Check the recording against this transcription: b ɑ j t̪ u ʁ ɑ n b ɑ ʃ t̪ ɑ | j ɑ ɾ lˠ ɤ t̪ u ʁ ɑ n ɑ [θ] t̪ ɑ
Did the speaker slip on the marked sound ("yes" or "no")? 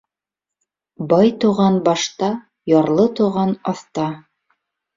no